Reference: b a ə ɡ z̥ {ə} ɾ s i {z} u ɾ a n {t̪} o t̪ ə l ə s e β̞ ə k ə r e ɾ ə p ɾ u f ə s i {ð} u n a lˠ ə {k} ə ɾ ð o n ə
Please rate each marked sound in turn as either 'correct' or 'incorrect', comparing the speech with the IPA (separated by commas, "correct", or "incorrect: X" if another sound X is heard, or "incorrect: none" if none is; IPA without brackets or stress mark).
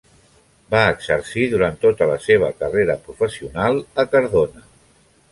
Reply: correct, incorrect: ð, correct, incorrect: none, correct